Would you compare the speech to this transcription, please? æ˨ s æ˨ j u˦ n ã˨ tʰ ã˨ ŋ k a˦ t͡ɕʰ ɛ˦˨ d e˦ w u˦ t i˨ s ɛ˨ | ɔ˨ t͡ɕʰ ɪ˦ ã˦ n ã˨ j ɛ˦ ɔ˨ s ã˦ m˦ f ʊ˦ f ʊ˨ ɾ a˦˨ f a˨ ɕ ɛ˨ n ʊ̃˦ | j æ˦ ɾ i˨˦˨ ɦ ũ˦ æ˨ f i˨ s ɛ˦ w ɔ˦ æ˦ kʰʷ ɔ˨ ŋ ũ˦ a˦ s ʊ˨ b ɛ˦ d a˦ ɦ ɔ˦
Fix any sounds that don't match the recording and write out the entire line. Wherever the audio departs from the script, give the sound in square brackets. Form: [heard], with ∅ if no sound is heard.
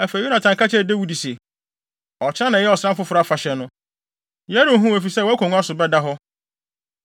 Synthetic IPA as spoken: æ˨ [f] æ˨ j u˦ n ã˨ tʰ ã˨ ŋ k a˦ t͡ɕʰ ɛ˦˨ d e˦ w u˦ [d] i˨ s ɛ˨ | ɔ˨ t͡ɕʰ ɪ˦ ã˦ n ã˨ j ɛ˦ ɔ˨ s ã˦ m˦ f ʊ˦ f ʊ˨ ɾ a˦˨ f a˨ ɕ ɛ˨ n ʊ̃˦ | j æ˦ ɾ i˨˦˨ ɦ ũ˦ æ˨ f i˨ s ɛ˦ w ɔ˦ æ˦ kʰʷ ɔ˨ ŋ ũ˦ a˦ s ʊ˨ b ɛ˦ d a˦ ɦ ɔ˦